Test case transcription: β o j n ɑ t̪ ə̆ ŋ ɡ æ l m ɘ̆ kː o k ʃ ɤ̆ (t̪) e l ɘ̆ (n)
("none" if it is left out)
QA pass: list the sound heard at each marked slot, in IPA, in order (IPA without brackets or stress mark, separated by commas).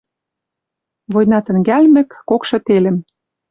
t̪, m